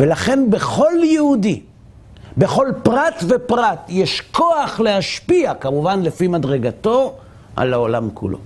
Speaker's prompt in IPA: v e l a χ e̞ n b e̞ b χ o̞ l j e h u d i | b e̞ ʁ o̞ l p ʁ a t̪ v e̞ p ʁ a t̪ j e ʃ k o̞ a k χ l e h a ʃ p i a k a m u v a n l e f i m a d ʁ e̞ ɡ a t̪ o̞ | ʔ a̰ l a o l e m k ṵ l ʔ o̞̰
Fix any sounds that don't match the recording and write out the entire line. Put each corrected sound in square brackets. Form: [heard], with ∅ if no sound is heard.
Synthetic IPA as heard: v e l a χ e̞ n b e̞ [∅] χ o̞ l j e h u d i | b e̞ [χ] o̞ l p ʁ a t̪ v e̞ p ʁ a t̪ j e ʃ k o̞ a [∅] χ l e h a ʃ p i a k a m u v a n l e f i m a d ʁ e̞ ɡ a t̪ o̞ | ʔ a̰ l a o l [a] m k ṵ l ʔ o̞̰